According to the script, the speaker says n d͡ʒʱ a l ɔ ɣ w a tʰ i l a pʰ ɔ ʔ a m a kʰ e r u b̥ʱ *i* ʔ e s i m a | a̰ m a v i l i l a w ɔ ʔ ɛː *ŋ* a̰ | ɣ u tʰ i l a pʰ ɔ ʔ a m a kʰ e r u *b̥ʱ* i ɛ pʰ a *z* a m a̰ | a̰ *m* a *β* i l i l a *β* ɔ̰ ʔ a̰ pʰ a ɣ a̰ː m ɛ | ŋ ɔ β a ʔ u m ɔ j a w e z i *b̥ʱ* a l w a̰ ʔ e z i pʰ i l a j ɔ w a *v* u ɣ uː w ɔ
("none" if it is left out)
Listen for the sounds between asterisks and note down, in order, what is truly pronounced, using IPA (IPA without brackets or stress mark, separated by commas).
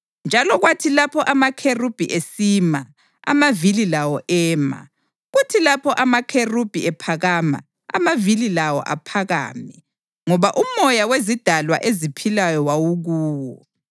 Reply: i, m, b̥ʱ, ɣ, m, v, w, d̥ʱ, w